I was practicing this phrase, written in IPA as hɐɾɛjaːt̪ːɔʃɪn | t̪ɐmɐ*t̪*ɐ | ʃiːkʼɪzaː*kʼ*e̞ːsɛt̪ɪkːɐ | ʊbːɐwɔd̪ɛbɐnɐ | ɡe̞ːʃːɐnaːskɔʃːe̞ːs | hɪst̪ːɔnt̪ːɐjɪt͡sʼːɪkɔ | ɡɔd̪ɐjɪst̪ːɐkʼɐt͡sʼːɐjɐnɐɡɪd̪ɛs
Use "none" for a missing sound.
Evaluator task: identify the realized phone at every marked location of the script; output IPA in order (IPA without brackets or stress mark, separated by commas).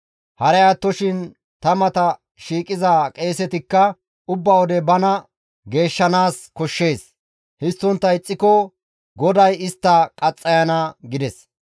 t̪, kʼ